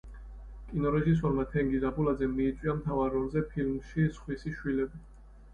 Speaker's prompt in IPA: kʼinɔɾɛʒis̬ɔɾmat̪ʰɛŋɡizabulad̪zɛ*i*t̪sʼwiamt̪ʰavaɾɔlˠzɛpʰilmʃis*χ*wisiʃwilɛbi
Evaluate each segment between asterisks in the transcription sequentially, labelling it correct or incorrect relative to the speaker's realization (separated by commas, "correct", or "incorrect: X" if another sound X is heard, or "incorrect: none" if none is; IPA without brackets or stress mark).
incorrect: iː, correct